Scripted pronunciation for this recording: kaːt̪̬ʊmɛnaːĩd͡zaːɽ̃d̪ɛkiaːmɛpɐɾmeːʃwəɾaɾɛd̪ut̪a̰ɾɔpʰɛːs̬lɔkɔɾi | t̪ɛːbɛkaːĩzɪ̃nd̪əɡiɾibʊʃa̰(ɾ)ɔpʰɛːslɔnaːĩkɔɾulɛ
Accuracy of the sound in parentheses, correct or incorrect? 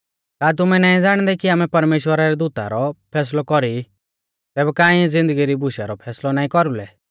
correct